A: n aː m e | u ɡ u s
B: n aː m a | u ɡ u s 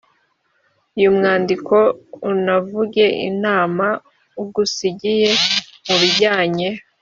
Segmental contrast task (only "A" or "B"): B